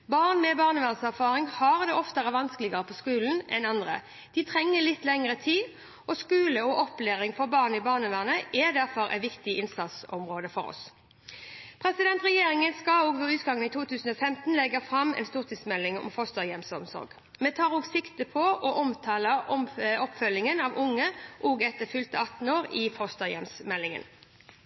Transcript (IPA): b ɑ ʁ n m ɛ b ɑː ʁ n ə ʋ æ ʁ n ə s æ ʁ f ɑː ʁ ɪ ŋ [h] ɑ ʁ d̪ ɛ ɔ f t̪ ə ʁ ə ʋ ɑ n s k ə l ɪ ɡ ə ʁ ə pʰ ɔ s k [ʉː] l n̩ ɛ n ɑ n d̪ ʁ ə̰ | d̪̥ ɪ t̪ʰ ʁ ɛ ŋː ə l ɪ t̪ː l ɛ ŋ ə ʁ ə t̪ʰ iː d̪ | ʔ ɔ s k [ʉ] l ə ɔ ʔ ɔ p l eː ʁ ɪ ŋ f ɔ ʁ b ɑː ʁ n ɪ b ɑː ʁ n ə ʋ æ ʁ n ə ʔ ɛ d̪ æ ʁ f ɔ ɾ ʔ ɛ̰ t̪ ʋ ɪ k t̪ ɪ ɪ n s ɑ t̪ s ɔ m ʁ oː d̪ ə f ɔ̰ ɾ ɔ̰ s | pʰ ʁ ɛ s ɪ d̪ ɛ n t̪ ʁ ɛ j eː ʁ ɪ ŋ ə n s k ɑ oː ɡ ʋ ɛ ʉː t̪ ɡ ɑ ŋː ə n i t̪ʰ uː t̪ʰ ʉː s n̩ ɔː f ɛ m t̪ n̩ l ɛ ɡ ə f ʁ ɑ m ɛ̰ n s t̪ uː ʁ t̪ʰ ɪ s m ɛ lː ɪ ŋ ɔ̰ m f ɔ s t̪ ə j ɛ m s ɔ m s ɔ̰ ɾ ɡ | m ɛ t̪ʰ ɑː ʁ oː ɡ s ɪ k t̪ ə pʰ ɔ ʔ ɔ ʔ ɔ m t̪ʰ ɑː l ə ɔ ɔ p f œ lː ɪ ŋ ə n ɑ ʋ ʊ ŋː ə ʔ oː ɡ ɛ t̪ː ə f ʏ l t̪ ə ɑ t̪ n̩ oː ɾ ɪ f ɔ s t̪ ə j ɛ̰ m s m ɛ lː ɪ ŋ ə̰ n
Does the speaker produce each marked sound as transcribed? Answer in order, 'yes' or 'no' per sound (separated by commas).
yes, yes, no